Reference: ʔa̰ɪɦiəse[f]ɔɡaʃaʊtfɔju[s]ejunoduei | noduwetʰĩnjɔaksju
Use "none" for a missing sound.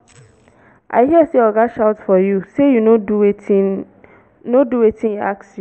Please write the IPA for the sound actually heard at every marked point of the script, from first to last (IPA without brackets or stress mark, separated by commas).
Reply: none, s